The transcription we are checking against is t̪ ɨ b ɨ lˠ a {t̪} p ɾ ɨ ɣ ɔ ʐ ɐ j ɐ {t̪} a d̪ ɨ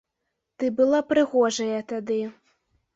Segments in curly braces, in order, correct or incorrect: incorrect: none, correct

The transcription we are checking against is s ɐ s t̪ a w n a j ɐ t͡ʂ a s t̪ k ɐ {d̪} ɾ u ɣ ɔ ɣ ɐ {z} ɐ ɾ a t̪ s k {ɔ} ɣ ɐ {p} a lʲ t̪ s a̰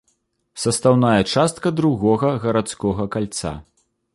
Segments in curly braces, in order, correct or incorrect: correct, incorrect: ɣ, correct, incorrect: k

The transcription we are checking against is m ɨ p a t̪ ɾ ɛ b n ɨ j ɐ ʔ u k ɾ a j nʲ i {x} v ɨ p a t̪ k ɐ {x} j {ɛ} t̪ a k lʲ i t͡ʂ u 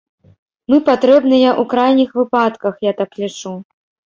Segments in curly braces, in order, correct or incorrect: correct, correct, incorrect: a

